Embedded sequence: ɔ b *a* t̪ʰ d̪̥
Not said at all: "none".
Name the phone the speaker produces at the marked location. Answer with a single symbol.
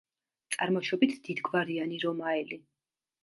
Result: i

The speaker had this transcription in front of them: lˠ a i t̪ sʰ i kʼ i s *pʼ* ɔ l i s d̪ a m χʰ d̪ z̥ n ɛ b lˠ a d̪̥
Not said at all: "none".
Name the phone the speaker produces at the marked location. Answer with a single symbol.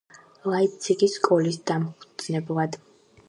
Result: kʼ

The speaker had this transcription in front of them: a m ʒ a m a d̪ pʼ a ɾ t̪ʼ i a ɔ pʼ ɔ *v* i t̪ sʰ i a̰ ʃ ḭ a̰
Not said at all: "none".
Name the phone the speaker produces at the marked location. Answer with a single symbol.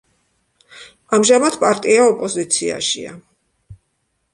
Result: z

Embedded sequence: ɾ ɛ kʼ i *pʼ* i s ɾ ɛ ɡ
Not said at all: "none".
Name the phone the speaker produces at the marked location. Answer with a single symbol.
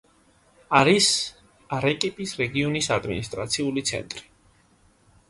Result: pʼ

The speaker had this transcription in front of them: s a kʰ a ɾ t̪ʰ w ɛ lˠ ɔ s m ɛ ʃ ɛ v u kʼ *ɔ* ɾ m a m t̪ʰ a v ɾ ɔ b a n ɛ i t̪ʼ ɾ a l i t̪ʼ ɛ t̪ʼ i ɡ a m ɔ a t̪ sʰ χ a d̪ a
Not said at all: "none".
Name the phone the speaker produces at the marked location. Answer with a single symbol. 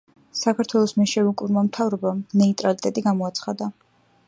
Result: u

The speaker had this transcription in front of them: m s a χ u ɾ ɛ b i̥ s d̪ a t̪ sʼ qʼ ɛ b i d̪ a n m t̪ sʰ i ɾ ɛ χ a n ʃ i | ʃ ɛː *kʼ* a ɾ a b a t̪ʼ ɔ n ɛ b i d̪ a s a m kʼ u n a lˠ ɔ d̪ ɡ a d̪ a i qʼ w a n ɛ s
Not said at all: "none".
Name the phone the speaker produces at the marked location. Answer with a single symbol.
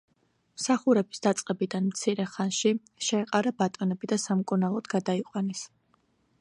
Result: qʼ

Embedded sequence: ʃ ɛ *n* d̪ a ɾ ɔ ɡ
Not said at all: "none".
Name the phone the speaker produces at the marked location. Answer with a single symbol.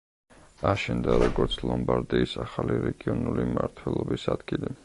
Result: n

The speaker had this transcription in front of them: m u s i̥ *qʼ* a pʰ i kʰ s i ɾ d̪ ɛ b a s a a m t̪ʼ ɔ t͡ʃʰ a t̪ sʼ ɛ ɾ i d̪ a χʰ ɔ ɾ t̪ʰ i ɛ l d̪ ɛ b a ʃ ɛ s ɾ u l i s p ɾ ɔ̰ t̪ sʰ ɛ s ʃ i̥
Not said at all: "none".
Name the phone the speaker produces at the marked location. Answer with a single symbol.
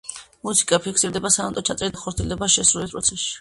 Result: kʼ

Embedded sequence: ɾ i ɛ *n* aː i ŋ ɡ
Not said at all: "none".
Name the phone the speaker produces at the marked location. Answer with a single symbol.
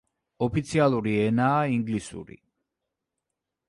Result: n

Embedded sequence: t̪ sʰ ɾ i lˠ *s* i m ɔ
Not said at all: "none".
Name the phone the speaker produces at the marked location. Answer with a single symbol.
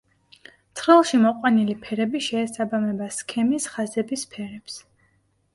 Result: ʃ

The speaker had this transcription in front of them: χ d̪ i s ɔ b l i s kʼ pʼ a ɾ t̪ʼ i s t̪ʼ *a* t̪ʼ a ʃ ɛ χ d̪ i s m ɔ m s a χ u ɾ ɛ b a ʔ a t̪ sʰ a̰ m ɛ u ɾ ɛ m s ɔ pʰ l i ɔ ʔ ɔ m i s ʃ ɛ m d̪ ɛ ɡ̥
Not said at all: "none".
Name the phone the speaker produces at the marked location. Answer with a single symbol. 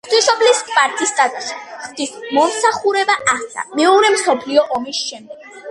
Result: a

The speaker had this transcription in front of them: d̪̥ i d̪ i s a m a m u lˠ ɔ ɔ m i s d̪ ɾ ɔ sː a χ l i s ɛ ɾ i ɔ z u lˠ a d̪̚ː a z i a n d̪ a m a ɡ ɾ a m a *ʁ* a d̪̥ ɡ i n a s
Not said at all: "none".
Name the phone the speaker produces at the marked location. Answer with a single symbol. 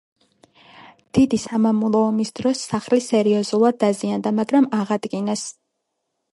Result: ʁ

